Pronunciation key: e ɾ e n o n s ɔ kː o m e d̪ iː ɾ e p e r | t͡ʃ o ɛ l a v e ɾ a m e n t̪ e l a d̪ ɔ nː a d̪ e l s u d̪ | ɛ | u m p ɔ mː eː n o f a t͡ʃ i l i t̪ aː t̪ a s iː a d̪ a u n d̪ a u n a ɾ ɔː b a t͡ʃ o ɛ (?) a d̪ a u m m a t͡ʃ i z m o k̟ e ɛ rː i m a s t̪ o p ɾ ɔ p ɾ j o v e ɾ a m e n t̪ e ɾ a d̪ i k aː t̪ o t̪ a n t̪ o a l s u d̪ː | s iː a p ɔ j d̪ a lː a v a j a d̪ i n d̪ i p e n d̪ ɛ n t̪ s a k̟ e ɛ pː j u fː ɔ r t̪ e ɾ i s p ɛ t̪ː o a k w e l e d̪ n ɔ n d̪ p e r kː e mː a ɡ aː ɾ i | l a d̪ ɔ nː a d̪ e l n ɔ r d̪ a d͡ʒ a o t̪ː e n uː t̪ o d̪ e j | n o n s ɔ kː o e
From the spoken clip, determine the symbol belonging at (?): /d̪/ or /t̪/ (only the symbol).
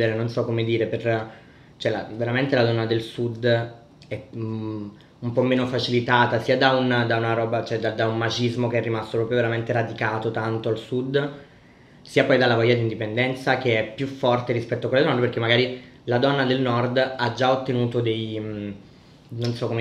d̪